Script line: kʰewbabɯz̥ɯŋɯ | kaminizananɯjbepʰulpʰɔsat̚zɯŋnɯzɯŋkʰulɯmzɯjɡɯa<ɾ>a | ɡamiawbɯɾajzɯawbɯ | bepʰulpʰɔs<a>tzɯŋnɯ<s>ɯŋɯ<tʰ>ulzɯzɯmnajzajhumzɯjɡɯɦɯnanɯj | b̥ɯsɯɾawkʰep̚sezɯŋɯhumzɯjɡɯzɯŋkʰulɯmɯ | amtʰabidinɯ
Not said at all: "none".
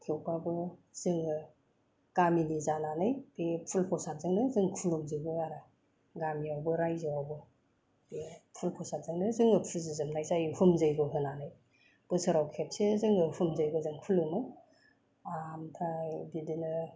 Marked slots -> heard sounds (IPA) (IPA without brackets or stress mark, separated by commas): ɾ, a, z, pʰ